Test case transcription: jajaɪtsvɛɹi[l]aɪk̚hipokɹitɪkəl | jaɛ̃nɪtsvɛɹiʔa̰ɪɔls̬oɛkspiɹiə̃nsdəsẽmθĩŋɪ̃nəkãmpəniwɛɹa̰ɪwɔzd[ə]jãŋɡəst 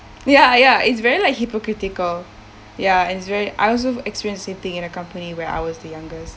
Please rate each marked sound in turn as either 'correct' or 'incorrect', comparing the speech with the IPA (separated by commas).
correct, correct